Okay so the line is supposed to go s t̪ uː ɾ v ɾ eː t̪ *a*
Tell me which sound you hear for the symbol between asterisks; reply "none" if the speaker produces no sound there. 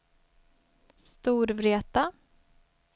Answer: a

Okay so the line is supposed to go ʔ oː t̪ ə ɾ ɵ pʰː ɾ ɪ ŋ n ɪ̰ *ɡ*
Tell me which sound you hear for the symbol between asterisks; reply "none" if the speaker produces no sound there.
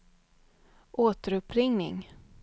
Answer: ŋ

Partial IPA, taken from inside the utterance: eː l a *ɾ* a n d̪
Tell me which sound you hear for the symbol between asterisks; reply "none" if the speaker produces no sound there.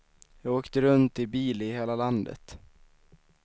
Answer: l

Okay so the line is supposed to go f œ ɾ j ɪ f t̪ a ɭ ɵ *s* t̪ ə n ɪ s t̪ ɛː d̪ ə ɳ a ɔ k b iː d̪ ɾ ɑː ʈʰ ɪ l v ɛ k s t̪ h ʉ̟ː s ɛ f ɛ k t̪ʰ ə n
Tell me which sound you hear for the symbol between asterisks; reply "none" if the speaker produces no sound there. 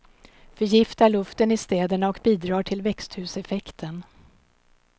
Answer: f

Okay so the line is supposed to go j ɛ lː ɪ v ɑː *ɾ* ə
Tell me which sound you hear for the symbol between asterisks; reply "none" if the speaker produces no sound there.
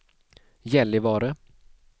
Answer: ɾ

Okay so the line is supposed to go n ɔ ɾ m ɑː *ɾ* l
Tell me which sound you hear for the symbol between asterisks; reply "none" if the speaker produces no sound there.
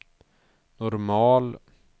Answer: none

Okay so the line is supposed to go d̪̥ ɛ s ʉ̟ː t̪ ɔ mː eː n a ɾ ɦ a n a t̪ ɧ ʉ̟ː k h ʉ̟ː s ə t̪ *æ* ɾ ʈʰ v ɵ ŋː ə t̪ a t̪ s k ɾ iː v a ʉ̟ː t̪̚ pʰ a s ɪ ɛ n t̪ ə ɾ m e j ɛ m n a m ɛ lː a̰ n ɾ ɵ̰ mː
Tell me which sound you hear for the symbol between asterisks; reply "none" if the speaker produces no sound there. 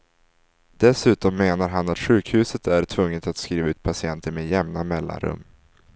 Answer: æ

